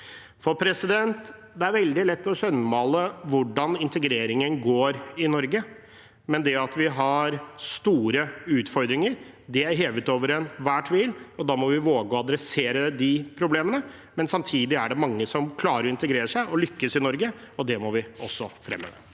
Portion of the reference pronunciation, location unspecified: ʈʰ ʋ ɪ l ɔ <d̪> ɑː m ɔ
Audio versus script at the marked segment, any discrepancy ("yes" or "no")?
no